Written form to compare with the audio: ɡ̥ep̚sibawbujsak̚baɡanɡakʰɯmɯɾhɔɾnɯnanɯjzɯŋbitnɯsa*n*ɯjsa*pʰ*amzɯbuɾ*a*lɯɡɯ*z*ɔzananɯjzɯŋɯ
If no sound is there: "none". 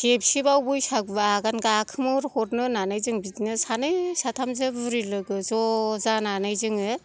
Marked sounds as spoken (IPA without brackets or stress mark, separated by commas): n, tʰ, i, z